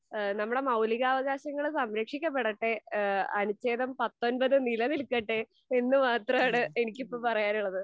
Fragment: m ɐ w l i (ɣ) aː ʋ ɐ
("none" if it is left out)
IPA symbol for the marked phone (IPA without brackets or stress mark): ɣ